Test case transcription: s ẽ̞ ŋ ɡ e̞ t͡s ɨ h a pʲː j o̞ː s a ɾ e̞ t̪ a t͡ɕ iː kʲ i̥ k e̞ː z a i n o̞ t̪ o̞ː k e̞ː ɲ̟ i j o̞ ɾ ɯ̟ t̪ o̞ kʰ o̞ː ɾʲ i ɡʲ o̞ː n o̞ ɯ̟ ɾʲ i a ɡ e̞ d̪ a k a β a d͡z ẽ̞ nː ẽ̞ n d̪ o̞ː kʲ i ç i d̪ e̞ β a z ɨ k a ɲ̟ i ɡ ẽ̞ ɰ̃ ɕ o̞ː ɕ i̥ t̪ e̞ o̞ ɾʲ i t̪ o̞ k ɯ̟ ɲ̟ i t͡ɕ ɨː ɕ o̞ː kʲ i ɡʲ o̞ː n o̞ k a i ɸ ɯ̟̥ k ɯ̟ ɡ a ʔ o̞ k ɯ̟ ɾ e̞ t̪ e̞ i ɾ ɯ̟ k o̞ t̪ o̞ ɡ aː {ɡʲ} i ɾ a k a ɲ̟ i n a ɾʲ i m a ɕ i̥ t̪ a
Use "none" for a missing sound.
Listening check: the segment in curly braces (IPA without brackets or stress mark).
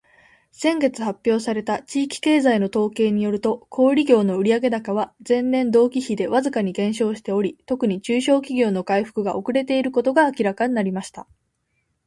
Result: kʲ